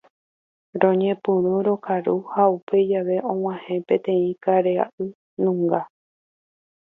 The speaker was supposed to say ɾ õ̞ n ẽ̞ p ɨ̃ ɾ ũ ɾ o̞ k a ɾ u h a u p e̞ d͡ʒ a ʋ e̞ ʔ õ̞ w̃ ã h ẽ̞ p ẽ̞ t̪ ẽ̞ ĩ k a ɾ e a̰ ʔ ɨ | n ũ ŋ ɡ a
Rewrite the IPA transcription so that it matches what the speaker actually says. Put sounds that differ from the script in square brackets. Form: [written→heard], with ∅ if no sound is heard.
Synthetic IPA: ɾ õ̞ [n→ɲ] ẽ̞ p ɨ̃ ɾ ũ ɾ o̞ k a ɾ u h a u p e̞ d͡ʒ a ʋ e̞ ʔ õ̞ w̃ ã h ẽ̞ p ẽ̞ t̪ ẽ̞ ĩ k a ɾ e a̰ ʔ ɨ | n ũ ŋ ɡ a